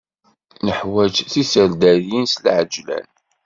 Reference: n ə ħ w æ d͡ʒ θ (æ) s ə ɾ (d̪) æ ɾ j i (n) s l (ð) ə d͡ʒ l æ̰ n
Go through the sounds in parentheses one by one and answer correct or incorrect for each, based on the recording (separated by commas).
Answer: incorrect, correct, correct, incorrect